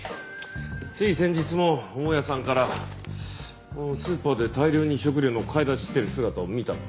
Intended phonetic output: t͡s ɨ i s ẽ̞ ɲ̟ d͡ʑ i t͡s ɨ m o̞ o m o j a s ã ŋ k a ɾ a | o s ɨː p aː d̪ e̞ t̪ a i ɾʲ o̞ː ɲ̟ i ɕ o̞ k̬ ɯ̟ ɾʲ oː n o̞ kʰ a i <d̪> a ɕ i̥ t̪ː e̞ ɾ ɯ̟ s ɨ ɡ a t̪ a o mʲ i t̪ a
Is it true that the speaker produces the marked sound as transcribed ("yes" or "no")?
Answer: yes